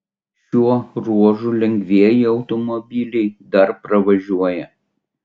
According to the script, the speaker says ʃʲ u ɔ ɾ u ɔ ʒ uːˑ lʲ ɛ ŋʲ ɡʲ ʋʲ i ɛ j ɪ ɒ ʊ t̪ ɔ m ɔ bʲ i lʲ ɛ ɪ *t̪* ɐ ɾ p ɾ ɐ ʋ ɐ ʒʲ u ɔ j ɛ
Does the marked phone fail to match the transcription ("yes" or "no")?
yes